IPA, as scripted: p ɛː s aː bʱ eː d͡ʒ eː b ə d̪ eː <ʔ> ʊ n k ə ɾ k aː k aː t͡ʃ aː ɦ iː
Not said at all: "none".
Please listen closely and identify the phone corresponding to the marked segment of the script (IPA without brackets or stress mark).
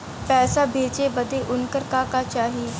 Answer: ʔ